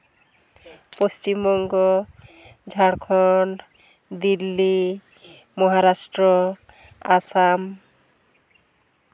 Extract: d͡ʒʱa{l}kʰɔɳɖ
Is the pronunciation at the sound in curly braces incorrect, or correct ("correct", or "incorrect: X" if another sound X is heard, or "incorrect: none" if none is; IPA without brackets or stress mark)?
incorrect: ɽ